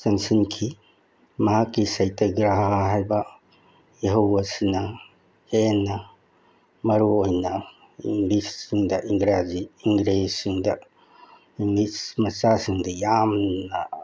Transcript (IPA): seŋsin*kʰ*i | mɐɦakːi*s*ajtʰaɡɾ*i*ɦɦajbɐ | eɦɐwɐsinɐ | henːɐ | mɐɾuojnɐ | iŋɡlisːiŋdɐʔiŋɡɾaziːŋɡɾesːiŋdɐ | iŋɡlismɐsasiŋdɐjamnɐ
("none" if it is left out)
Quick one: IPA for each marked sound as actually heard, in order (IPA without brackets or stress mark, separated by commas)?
kʰ, s, a